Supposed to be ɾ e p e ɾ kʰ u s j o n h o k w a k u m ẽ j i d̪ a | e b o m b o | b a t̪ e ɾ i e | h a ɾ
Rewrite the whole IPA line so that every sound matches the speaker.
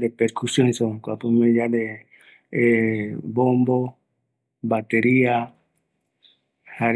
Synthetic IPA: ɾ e p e ɾ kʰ u s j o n s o k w a p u m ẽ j a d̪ e | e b o m b o | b a t̪ e ɾ i a | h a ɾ